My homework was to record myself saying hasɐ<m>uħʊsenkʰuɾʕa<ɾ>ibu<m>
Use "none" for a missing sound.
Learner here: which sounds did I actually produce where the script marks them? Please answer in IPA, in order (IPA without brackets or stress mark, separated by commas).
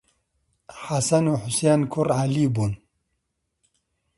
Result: n, l, n